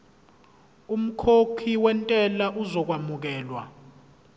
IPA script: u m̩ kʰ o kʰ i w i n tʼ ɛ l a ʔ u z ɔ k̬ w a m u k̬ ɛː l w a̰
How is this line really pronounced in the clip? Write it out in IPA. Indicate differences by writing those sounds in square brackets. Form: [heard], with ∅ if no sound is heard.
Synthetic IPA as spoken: u m̩ kʰ o kʰ i w [ɛ] n tʼ ɛ l a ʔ u z ɔ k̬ w a m u k̬ ɛː l w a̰